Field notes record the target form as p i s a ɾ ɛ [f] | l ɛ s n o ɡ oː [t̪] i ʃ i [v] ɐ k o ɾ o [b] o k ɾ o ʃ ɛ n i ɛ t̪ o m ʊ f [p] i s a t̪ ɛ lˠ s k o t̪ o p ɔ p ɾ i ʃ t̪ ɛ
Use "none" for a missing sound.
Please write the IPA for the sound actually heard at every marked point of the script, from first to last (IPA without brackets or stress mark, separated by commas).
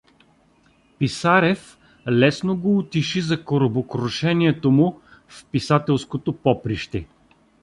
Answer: f, t̪, z, b, p